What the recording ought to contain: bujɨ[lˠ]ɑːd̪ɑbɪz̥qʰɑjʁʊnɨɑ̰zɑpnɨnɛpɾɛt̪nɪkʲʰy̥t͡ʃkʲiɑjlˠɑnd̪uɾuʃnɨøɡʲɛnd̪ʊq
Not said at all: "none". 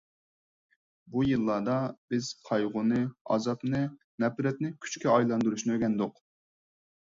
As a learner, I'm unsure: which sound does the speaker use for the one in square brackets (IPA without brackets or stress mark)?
lˠː